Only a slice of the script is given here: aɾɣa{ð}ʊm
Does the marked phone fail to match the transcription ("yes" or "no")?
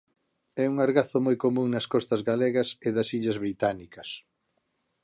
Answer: yes